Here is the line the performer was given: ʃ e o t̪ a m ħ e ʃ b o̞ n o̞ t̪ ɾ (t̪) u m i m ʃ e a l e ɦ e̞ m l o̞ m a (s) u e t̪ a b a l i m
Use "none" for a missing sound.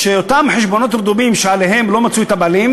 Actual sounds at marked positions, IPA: d̪, t͡s

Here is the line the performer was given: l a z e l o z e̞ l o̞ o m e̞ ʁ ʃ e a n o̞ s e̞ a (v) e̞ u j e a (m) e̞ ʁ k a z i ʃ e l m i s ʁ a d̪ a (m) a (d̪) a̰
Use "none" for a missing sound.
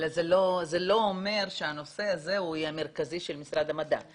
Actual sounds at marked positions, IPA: z, m, m, d̪

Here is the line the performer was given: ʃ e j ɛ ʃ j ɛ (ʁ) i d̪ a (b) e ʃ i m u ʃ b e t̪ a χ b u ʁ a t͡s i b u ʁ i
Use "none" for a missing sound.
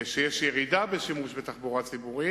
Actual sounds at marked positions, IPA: ʁ, b

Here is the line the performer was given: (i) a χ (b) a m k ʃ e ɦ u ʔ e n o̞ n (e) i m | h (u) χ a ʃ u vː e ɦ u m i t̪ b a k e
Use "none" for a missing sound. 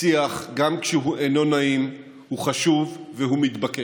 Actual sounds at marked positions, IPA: i, ɡ, a, u

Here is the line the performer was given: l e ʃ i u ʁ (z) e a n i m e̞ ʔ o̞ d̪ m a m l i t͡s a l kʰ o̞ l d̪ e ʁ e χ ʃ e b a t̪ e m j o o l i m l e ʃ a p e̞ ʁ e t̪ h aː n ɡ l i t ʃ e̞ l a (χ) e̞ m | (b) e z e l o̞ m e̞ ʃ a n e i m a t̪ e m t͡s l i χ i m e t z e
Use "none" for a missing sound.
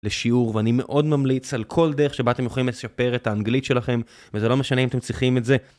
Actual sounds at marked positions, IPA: v, χ, v

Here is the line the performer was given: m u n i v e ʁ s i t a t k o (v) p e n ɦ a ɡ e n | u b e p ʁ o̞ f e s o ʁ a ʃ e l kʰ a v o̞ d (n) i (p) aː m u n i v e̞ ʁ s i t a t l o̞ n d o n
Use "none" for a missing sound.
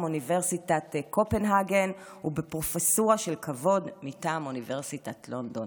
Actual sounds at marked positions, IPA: none, m, t

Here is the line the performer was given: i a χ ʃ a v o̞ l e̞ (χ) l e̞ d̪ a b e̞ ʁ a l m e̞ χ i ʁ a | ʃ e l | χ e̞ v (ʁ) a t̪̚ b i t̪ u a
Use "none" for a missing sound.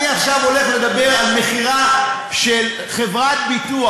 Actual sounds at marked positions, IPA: χ, ʁ

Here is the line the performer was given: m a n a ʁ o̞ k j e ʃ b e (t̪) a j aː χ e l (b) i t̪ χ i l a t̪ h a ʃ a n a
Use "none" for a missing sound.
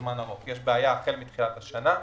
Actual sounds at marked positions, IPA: none, m

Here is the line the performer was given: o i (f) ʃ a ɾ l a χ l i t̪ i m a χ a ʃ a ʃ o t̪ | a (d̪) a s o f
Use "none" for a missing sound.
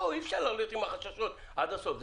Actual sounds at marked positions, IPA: f, d̪

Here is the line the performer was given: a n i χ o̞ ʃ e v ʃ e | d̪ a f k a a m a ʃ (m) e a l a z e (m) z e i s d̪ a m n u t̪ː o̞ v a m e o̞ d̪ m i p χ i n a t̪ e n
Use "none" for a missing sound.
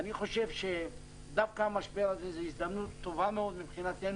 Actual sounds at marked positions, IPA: b, none

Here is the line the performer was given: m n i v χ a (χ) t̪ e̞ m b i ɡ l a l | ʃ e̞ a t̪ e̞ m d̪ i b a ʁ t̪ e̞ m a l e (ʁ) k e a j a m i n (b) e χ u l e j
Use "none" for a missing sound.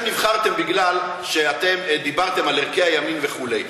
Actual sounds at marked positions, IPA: ʁ, ʁ, v

